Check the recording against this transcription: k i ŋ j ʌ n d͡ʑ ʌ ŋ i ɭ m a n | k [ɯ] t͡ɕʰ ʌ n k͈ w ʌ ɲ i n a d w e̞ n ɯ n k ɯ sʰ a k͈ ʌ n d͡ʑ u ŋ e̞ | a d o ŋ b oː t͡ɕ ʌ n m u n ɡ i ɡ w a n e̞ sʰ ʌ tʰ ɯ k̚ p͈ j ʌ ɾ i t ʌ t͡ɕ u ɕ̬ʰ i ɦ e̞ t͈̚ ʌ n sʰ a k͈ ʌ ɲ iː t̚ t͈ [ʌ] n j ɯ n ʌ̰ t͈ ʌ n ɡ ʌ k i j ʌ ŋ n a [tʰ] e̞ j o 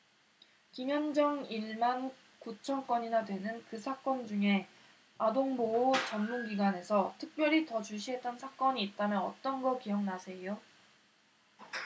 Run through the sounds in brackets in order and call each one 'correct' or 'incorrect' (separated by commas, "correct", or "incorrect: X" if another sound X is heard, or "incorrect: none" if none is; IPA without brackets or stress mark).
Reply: incorrect: u, incorrect: a, incorrect: sʰ